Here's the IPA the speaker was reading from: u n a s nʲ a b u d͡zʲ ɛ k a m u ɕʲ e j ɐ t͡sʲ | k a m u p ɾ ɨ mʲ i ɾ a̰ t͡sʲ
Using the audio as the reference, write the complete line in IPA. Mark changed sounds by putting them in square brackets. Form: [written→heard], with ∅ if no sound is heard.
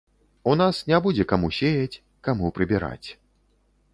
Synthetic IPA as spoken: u n a s nʲ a b u d͡zʲ ɛ k a m u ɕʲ e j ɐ t͡sʲ | k a m u p ɾ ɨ [mʲ→bʲ] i ɾ a̰ t͡sʲ